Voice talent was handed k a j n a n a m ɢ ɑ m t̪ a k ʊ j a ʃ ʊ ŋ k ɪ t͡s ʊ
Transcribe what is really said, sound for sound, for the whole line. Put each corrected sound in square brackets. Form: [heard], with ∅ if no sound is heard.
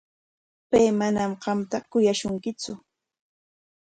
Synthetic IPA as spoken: [p] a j [m] a n a m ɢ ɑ m t̪ a k ʊ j a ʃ ʊ ŋ k ɪ t͡s ʊ